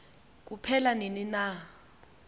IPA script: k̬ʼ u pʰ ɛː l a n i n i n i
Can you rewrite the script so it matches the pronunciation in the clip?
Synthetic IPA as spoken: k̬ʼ u pʰ ɛ l a n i n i n a